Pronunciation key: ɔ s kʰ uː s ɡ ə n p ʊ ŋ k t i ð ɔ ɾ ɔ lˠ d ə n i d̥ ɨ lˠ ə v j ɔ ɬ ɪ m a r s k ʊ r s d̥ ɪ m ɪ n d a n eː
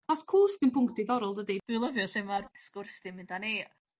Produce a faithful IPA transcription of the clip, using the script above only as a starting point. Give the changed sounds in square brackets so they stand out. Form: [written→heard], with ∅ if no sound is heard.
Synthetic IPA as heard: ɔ s kʰ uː s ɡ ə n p ʊ ŋ k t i ð ɔ ɾ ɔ lˠ d ə [n→d] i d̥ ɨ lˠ ə v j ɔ ɬ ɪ m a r s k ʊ r s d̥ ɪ m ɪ n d a n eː